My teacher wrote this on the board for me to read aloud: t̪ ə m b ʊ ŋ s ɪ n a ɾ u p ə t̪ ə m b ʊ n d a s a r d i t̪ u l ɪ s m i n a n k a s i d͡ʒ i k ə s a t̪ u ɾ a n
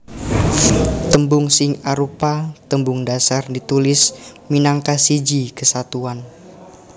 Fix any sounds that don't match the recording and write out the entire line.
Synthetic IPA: t̪ ə m b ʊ ŋ s ɪ ŋ a ɾ u p a t̪ ə m b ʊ ŋ d a s a r d i t̪ u l ɪ s m i n a ŋ k a s i d͡ʒ i k ə s a t̪ u a n